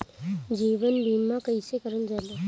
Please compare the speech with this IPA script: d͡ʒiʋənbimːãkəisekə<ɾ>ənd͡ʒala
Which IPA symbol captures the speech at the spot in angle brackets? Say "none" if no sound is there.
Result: ɾ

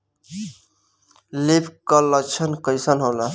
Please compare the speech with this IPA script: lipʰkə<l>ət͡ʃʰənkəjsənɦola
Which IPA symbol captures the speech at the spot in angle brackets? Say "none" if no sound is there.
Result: l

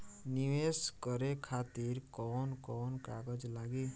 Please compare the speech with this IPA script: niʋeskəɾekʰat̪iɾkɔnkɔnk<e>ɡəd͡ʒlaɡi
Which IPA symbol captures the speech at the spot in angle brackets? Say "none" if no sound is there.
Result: a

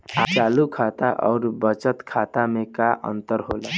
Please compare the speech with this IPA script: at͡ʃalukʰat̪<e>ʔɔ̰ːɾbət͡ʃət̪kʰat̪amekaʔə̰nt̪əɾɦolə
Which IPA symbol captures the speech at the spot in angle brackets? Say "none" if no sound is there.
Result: a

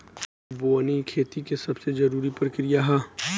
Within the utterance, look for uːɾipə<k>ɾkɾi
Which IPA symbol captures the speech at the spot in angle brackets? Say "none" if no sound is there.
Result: none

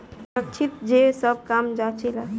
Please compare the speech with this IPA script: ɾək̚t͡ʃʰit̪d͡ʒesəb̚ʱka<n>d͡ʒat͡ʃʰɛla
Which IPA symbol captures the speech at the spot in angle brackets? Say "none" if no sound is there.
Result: m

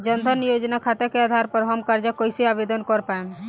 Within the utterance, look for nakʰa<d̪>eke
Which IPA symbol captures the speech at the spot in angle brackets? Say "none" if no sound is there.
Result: t̪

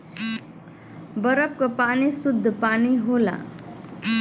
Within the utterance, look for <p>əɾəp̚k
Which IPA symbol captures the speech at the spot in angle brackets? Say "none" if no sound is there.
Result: b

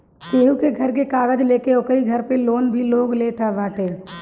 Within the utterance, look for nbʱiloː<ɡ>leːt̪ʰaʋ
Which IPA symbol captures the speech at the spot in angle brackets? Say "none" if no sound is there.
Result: ɡ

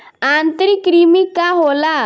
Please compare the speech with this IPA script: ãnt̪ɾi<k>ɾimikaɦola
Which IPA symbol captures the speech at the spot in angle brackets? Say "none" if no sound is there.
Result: k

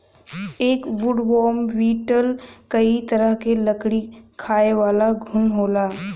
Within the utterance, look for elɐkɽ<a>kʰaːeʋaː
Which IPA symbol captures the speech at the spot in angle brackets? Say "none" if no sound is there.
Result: i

